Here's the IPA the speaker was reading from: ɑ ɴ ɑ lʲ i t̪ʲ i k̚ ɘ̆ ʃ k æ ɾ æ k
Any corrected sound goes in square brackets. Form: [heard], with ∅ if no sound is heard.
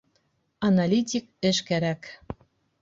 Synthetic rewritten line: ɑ [n] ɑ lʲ i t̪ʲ i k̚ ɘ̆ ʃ k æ ɾ æ k